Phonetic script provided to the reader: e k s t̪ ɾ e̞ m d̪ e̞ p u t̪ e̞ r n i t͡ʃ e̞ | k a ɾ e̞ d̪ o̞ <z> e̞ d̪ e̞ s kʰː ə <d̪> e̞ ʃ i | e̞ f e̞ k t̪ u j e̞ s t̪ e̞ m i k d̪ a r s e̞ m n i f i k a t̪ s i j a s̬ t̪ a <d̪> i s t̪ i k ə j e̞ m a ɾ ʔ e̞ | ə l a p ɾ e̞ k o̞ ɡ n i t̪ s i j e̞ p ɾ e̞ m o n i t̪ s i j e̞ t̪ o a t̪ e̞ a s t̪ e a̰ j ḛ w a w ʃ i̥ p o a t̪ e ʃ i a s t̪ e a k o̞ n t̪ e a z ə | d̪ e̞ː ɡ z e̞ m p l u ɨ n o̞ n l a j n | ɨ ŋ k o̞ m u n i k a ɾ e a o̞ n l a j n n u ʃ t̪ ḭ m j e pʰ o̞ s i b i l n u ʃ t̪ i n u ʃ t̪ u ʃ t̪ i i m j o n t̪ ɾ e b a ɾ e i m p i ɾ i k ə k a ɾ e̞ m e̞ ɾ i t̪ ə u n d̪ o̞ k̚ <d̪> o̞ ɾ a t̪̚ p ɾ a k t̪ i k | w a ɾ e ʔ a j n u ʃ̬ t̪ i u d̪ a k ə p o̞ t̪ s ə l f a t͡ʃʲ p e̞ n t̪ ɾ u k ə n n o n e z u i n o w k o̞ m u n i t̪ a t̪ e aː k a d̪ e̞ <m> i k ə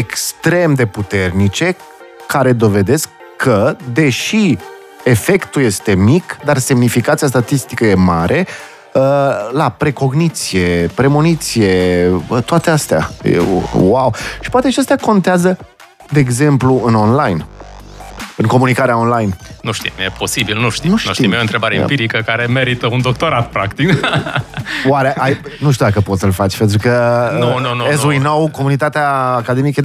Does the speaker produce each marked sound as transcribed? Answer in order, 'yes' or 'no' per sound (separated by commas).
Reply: no, yes, no, no, yes